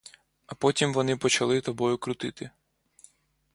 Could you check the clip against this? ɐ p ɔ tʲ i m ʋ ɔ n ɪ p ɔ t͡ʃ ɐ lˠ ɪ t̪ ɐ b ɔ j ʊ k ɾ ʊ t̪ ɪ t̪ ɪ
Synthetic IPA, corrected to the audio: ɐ p ɔ tʲ i m ʋ ɔ n ɪ p ɔ t͡ʃ ɐ lˠ ɪ t̪ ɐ b ɔ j ʊ k ɾ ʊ t̪ ɪ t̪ ɪ

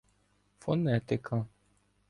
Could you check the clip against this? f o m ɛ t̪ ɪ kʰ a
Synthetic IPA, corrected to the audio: f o n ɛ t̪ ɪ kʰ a

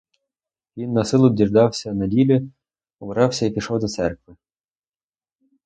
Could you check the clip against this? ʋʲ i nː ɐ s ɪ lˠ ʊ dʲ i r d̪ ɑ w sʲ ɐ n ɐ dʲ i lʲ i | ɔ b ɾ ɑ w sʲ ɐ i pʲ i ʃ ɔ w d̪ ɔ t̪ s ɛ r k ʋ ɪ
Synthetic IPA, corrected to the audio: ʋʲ i nː ɐ s ɪ lˠ ʊ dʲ i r d̪ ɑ w sʲ ɐ n ɐ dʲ i lʲ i | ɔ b ɾ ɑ w sʲ ɐ i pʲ i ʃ ɔ w d̪ ɔ t̪ s ɛ r k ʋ ɪ

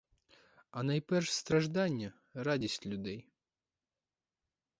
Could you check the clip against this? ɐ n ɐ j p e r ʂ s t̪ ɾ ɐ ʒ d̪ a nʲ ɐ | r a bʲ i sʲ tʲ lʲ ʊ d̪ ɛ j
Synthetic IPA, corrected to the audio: ɐ n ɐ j p ɛ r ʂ s t̪ ɾ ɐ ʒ d̪ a nʲː ɐ | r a dʲ i sʲ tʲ lʲ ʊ d̪ ɛ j

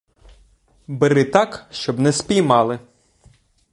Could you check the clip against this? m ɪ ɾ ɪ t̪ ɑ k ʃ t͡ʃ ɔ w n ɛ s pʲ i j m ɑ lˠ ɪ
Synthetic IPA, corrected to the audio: b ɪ ɾ ɪ t̪ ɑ k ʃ t͡ʃ ɔ b n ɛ s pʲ i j m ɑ lˠ ɪ

